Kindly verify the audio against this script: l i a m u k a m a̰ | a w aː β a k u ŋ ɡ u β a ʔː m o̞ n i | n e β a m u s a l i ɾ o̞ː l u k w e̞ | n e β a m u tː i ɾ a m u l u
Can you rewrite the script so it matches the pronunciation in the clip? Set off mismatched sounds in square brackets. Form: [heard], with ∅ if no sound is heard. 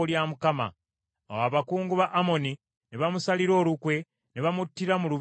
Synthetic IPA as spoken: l [j] a m u k a m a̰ | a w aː β a k [uː] ŋ ɡ u β a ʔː m o̞ n i | n e β a m u s a l i ɾ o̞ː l u k w e̞ | n e β a m u tː i ɾ a m u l u

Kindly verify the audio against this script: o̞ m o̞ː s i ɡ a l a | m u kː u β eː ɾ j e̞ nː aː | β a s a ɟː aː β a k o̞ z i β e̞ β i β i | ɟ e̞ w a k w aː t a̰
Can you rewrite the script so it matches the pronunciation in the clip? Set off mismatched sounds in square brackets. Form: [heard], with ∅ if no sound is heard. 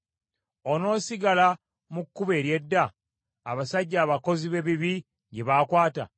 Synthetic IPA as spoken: o̞ [n] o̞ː s i ɡ a l a | m u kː u β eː ɾ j e̞ [dː] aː | β a s a ɟː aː β a k o̞ z i β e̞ β i β i | ɟ e̞ [β] a k w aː t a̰

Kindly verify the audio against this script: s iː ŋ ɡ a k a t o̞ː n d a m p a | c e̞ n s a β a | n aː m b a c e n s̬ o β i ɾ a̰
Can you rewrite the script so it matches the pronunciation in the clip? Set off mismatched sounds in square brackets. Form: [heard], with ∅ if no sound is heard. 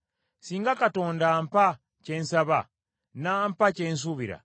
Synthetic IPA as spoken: s iː ŋ ɡ a k a t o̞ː n d a m p a | c e̞ n s a β a | n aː m [p] a c e n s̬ [u] β i ɾ a̰

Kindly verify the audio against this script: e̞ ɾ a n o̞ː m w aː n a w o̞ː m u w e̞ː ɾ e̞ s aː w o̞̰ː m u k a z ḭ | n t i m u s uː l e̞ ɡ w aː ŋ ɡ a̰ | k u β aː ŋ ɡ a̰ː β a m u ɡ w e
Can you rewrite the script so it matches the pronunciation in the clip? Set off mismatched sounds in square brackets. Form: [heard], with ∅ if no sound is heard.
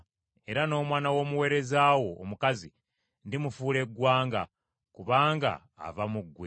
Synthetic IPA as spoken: e̞ ɾ a n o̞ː m w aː n a w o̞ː m u w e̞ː ɾ e̞ [z] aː w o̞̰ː m u k a z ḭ | n [d] i m u [f] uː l e̞ ɡ w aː ŋ ɡ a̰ | k u β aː ŋ ɡ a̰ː [v] a m u ɡ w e

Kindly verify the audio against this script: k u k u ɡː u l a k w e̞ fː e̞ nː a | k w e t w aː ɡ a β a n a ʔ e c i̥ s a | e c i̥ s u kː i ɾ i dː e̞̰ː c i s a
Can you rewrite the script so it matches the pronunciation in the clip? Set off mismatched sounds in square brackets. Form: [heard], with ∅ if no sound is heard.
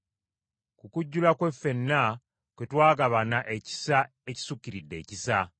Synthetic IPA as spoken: k u k u [ɟː] u l a k w e̞ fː e̞ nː a | k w e t w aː ɡ a β a n a ʔ e c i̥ s a | e c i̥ s u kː i ɾ i dː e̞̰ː c i s a

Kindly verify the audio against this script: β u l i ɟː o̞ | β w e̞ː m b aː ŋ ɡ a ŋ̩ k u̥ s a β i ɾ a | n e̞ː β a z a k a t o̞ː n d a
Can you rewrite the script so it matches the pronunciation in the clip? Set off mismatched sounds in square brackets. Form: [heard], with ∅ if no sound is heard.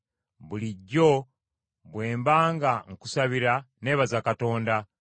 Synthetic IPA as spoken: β u l i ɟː o̞ | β w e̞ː m b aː ŋ ɡ a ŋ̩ k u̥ s a β i ɾ a | n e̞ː β a z a k a t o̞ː n d a

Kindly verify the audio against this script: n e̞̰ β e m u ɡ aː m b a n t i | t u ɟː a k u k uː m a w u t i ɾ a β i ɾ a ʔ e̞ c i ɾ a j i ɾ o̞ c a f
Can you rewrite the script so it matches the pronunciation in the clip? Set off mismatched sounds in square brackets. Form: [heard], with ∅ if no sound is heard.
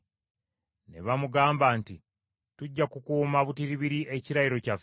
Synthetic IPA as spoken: n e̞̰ β [a] m u ɡ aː m b a n t i | t u ɟː a k u k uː m a [β] u t i ɾ [i] β i ɾ [i] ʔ e̞ c i ɾ a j i ɾ o̞ c a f

